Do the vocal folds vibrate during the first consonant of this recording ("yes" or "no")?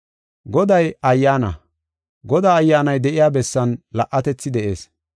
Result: yes